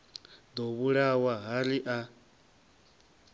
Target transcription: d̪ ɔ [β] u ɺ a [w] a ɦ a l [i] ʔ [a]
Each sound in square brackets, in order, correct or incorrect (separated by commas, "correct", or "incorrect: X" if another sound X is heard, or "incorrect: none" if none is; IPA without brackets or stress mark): correct, correct, correct, correct